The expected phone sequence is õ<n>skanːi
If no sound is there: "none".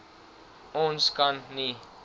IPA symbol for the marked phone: n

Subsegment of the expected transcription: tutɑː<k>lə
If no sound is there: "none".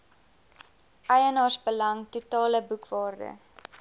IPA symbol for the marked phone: none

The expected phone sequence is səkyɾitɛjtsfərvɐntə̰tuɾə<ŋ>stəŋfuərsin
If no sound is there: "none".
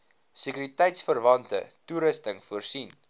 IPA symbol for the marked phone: none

